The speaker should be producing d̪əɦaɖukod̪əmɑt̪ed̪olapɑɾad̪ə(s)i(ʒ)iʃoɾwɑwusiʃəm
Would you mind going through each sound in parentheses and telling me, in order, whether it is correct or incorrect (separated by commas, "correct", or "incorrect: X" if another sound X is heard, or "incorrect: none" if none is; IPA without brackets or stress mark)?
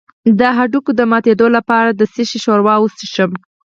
correct, incorrect: ʃ